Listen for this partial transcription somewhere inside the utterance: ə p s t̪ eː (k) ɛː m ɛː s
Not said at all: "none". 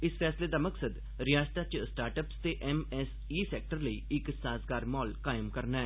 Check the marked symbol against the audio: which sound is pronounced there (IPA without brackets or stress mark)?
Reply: ʔ